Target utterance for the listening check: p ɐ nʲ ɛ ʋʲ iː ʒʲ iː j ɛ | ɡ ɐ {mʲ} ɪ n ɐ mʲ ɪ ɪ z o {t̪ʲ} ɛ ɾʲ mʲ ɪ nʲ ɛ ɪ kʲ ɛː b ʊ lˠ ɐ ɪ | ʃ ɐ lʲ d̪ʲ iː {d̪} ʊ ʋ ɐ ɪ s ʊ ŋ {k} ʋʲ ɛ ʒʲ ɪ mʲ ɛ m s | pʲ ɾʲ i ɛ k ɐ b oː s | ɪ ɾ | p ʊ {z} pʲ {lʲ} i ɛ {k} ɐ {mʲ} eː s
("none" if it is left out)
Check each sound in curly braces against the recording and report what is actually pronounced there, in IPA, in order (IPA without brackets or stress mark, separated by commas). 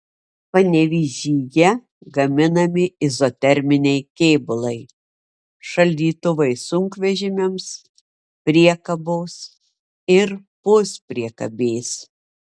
mʲ, t̪ʲ, t̪, k, s, ɾʲ, k, bʲ